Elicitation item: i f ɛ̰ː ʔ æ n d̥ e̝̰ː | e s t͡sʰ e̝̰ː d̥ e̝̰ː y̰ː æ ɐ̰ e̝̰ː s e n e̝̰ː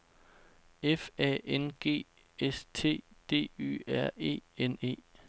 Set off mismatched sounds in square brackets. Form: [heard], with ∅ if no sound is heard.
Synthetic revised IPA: [e] f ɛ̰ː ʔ [e] n [ɡ̥] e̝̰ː | e s t͡sʰ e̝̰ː d̥ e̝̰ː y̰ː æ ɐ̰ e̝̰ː [∅] e n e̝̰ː